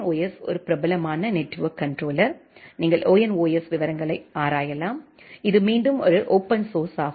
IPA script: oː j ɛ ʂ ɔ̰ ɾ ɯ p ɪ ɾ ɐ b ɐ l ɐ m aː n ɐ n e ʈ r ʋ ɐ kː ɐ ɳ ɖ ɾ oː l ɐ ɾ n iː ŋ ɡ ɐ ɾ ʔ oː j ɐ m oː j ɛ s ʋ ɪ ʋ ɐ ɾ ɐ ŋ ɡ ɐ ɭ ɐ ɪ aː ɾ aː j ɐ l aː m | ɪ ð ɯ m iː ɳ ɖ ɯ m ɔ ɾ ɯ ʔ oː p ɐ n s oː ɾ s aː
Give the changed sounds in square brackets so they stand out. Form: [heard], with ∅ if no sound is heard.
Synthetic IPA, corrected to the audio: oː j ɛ [s] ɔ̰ ɾ ɯ p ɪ ɾ ɐ b ɐ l ɐ m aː n ɐ n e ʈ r ʋ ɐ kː ɐ ɳ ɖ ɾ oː l ɐ ɾ n iː ŋ ɡ ɐ [ɭ] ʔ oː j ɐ [n] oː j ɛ s ʋ ɪ ʋ ɐ ɾ ɐ ŋ ɡ ɐ ɭ ɐ ɪ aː ɾ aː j ɐ l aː m | ɪ ð ɯ m iː ɳ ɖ ɯ m ɔ ɾ ɯ ʔ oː p ɐ n s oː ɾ s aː